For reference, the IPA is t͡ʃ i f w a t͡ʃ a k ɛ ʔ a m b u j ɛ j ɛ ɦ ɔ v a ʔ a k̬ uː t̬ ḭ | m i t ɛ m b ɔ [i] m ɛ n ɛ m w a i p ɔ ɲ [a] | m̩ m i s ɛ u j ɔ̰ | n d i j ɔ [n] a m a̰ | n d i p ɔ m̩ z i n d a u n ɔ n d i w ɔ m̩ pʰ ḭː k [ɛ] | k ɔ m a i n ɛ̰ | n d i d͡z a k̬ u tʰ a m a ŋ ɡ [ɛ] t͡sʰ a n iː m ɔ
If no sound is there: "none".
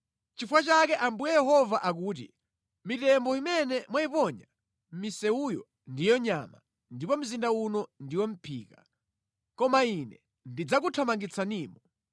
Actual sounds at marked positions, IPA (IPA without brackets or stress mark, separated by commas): i, a, ɲ, a, i